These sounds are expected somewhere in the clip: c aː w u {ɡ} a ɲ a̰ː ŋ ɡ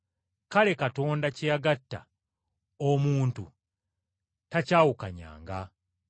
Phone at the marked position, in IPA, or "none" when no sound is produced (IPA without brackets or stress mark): k